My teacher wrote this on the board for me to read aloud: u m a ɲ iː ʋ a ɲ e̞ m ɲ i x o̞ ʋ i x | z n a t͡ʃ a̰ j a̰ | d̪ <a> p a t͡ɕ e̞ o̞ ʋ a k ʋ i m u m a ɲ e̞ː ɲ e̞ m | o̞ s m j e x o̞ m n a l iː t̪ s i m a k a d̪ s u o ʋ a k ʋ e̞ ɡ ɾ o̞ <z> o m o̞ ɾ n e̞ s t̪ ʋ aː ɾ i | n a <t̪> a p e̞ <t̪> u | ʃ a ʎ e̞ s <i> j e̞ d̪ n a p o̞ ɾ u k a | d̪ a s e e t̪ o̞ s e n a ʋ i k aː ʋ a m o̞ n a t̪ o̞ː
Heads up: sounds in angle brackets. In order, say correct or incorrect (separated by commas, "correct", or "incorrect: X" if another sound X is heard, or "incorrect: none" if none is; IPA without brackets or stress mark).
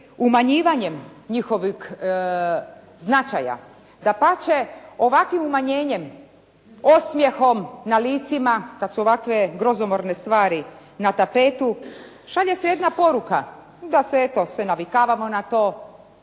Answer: correct, correct, correct, correct, incorrect: e